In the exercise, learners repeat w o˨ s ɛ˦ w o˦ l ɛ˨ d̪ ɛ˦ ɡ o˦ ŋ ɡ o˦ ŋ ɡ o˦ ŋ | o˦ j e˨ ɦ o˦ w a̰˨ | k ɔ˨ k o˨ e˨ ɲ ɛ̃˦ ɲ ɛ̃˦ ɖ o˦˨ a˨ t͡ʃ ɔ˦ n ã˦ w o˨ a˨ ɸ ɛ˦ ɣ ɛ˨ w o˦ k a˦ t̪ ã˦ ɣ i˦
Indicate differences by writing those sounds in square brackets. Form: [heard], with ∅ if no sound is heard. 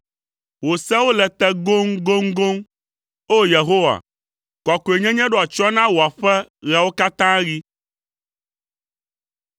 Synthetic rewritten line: w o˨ s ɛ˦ w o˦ l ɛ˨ [t̪] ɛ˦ ɡ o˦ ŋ ɡ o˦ ŋ ɡ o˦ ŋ | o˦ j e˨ ɦ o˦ w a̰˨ | k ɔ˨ k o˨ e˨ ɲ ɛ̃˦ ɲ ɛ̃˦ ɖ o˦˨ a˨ t͡ʃ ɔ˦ n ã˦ w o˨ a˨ ɸ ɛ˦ ɣ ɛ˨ w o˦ k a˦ t̪ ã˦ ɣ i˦